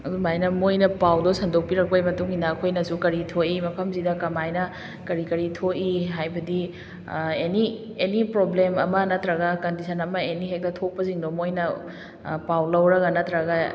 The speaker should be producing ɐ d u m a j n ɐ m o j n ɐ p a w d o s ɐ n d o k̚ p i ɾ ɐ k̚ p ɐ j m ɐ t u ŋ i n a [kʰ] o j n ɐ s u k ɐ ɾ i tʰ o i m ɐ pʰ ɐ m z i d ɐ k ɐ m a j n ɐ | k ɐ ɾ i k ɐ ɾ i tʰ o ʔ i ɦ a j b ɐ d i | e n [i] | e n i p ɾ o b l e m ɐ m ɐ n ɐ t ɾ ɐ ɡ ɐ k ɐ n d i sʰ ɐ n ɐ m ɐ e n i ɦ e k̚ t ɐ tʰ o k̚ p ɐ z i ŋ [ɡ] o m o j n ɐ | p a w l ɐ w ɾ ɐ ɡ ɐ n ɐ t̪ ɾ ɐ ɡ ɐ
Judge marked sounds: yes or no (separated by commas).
yes, yes, no